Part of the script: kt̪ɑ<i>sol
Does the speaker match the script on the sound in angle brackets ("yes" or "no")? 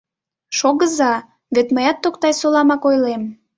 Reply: no